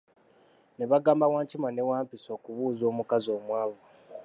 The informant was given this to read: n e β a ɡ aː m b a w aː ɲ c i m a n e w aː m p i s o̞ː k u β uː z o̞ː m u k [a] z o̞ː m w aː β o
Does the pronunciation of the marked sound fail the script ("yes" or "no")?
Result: no